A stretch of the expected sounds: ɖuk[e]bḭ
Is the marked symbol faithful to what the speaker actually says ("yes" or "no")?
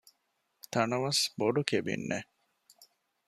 yes